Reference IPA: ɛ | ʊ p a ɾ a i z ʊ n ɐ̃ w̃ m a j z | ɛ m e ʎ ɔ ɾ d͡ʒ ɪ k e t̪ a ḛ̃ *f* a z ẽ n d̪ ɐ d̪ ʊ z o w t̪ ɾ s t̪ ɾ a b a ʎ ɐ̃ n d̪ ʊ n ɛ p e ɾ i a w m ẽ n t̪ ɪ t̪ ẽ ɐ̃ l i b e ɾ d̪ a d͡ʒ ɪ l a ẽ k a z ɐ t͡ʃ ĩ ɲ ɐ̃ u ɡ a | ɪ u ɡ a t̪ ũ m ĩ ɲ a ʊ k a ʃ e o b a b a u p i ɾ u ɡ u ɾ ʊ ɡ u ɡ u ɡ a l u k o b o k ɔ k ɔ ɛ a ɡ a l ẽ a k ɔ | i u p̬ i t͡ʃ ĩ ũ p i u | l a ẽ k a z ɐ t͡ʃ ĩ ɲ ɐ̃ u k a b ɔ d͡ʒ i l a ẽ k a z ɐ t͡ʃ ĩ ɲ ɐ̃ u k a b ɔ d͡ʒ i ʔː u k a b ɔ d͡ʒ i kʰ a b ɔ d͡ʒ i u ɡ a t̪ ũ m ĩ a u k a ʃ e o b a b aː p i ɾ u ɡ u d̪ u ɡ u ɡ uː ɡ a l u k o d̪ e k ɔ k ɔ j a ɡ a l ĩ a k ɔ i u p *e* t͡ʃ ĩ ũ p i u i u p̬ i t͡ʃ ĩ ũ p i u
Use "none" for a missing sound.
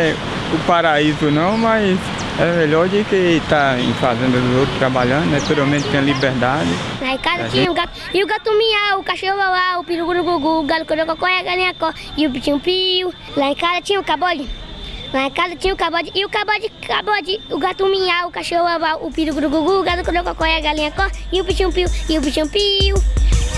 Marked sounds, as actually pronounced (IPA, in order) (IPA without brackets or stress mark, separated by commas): f, i